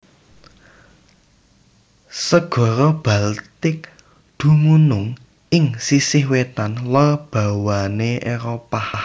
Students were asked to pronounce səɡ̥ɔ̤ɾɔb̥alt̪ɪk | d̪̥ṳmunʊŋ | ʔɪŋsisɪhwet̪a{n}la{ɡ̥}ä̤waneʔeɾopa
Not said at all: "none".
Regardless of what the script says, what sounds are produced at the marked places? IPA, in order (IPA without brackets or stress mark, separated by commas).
n, b̥